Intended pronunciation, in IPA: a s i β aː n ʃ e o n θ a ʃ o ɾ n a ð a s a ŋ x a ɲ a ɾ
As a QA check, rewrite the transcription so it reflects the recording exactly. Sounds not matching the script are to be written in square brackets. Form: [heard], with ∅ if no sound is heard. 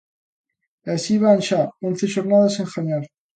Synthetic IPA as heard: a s i β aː n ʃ [a] o n θ [e] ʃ o ɾ n a ð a s [e] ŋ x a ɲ a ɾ